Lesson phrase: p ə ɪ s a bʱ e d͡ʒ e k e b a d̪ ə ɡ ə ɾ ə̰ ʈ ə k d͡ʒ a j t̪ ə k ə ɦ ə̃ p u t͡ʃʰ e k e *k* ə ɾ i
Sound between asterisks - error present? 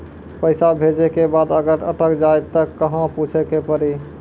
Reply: yes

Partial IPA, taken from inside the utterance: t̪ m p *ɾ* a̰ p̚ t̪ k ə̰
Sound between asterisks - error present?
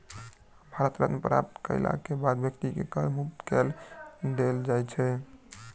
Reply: no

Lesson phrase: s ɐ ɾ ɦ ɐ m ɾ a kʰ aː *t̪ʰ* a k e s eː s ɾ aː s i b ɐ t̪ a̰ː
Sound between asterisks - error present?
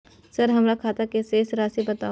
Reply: yes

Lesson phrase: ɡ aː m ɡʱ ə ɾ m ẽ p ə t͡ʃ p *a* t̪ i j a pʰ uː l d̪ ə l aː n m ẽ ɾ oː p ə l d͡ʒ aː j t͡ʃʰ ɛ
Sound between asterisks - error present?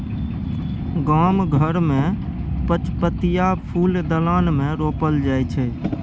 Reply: yes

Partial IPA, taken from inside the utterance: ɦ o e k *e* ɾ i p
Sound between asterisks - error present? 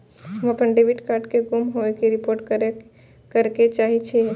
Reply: no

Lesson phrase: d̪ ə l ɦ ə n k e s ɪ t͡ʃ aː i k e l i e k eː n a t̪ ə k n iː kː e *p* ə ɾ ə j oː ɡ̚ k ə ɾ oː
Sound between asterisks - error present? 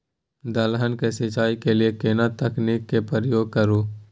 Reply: no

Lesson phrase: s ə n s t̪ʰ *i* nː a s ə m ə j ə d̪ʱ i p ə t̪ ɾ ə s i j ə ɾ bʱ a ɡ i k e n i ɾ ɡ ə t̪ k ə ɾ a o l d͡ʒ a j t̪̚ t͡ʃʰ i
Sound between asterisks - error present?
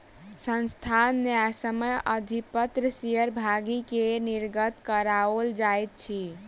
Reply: yes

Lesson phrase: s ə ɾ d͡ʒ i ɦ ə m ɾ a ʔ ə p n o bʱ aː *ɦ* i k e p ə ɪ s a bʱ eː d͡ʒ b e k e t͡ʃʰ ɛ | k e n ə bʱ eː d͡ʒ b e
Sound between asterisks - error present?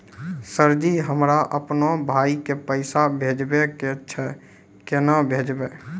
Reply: yes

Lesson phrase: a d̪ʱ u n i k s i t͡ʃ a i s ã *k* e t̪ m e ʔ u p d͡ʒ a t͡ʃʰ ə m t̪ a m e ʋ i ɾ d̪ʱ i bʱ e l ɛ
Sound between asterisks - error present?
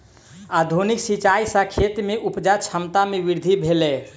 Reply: yes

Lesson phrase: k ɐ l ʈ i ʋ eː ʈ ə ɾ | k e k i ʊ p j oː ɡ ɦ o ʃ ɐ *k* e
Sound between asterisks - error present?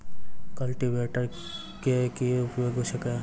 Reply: no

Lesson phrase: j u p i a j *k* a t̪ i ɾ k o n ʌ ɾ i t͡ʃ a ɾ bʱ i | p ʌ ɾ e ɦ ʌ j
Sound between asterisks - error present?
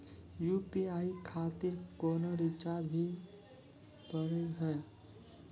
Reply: yes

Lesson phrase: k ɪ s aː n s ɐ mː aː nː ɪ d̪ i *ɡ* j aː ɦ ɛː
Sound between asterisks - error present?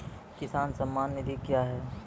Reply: yes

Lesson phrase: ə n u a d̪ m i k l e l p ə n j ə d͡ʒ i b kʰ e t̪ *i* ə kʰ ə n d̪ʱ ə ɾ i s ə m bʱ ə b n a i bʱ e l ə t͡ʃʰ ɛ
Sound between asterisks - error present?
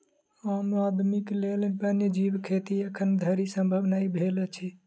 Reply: no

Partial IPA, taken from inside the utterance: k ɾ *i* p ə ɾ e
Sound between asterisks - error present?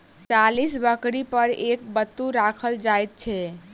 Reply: no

